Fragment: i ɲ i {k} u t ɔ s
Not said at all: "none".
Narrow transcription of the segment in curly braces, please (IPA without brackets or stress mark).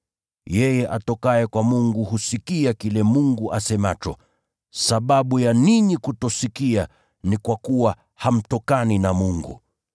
k